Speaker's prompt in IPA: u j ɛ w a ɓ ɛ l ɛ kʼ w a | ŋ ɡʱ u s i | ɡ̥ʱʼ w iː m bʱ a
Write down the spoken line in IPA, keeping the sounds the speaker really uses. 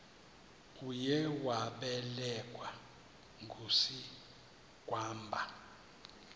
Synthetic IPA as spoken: u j ɛ w a ɓ ɛ l ɛ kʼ w a | ŋ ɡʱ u s i | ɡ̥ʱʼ w aː m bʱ a